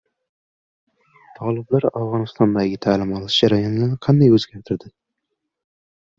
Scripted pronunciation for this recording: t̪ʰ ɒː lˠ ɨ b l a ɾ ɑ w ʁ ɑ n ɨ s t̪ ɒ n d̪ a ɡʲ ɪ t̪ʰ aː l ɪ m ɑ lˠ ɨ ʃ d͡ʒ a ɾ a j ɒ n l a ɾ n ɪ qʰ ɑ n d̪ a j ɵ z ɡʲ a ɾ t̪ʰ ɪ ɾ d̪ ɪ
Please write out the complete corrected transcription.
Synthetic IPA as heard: t̪ʰ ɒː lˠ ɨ b l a ɾ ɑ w ʁ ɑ n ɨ s t̪ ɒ n d̪ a ɡʲ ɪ t̪ʰ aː l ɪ m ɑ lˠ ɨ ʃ d͡ʒ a ɾ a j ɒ n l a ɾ n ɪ qʰ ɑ n d̪ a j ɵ z ɡʲ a ɾ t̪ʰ ɪ ɾ d̪ ɪ

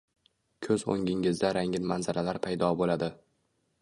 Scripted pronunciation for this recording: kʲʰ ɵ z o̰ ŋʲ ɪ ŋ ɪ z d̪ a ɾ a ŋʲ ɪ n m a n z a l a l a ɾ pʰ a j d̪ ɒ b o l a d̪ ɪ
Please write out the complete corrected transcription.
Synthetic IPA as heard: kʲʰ ɵ z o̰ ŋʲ ɪ ŋ ɪ z d̪ a ɾ a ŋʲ ɪ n m a n z a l a l a ɾ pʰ a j d̪ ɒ b o l a d̪ ɪ

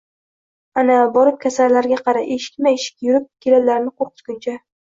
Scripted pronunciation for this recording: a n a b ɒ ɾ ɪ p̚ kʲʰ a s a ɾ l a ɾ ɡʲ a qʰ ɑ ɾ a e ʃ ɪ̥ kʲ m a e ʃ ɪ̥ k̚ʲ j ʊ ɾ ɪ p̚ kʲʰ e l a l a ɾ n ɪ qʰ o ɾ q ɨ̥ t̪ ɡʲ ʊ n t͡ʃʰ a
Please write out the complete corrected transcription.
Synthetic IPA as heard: a n a b ɒ ɾ ɪ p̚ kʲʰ a s a ɾ l a ɾ ɡʲ a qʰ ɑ ɾ a e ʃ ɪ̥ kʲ m a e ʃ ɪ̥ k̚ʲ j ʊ ɾ ɪ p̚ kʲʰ e l a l a ɾ n ɪ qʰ o ɾ q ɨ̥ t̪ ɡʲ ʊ n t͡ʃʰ a

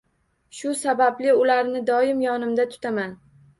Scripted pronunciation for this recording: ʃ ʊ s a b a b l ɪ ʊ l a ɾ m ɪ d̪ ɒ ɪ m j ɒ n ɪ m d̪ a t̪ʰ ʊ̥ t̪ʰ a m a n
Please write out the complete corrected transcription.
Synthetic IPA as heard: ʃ ʊ s a b a b l ɪ ʊ l a ɾ n ɪ d̪ ɒ ɪ m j ɒ n ɪ m d̪ a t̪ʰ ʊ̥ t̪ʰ a m a n

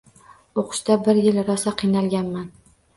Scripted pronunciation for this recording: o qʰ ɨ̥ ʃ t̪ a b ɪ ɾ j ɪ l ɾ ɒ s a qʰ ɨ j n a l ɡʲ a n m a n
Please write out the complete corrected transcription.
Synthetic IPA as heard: o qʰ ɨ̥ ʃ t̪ a b ɪ ɾ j ɪ l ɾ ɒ s a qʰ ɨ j n a l ɡʲ a n m a n

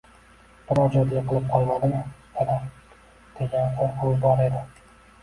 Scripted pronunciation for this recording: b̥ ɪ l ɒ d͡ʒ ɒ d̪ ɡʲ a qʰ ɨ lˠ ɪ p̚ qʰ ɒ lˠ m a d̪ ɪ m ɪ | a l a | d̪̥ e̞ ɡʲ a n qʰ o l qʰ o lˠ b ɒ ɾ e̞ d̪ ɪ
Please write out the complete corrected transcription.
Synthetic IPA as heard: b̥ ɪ ɾ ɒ d͡ʒ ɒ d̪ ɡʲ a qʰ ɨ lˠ ɪ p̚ qʰ ɒ lˠ m a d̪ ɪ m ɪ | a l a | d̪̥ e̞ ɡʲ a n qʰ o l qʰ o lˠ b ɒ ɾ e̞ d̪ ɪ

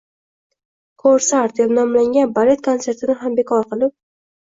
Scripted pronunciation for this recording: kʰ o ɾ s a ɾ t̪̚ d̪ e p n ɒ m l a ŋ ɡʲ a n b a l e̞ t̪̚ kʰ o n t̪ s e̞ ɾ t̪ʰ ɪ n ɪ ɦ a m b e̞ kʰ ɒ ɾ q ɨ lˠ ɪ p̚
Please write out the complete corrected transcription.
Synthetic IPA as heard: kʰ o ɾ s a ɾ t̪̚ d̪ e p n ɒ m l a ŋ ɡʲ a n b a l e̞ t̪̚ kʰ o n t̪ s e̞ ɾ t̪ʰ ɪ n ɪ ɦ a m b e̞ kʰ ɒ ɾ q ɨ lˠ ɪ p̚

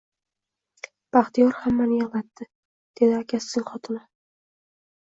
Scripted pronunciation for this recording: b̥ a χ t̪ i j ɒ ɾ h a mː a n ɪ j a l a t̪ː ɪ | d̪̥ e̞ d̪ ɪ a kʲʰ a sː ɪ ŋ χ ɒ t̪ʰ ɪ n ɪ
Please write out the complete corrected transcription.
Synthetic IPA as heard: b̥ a χ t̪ i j ɒ ɾ h a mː a n ɪ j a l a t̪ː ɪ | d̪̥ e̞ d̪ ɪ a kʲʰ a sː ɪ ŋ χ ɒ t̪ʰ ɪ n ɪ

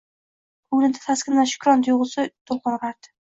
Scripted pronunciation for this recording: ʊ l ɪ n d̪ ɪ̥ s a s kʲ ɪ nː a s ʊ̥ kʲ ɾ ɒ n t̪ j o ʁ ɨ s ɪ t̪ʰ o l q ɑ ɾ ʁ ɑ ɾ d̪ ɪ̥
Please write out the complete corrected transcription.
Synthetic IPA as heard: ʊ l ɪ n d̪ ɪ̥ f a s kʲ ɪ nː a ʃ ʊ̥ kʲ ɾ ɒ n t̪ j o ʁ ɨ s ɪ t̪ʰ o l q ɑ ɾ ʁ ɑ ɾ d̪ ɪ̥

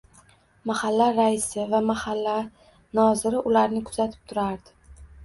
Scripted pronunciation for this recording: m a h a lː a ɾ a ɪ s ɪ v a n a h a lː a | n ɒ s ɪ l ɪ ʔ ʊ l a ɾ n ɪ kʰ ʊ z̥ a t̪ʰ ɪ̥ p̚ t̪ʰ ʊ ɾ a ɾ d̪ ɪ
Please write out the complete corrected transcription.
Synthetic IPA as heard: m a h a lː a ɾ a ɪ s ɪ v a m a h a lː a | n ɒ z ɪ ɾ ɪ ʔ ʊ l a ɾ n ɪ kʰ ʊ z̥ a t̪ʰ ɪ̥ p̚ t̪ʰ ʊ ɾ a ɾ d̪ ɪ

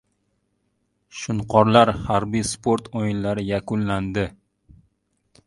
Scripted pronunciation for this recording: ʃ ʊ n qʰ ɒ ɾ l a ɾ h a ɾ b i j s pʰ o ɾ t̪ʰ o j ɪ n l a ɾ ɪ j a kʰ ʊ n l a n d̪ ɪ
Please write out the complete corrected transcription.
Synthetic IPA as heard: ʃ ʊ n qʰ ɒ ɾ l a ɾ h a ɾ b i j s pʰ o ɾ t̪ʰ o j ɪ n l a ɾ ɪ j a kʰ ʊ n l a n d̪ ɪ

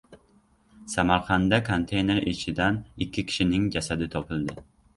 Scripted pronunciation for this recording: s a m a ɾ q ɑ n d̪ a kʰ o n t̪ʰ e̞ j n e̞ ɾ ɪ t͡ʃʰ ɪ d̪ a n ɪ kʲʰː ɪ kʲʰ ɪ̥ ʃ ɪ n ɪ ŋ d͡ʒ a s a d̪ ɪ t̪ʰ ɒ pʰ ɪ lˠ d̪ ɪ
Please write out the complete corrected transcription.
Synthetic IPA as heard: s a m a ɾ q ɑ n d̪ a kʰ o n t̪ʰ e̞ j n e̞ ɾ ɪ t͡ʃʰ ɪ d̪ a n ɪ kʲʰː ɪ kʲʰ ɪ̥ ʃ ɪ n ɪ ŋ d͡ʒ a s a d̪ ɪ t̪ʰ ɒ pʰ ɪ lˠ d̪ ɪ

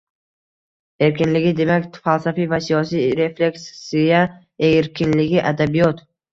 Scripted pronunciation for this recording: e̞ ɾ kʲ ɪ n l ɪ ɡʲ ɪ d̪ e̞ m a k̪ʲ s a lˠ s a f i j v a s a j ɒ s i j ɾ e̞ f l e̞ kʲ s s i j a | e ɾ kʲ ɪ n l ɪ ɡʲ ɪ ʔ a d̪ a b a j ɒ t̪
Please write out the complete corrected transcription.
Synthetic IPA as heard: e̞ ɾ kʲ ɪ n l ɪ ɡʲ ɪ d̪ e̞ m a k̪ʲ f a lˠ s a f i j v a s i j ɒ s i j ɾ e̞ f l e̞ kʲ s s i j a | e ɾ kʲ ɪ n l ɪ ɡʲ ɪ ʔ a d̪ a b i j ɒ t̪

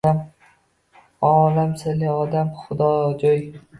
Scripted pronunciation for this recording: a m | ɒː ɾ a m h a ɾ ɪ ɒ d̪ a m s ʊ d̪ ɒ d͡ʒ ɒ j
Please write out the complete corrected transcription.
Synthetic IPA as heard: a m | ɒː l a m s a l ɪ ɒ d̪ a m χ ʊ d̪ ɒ d͡ʒ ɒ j

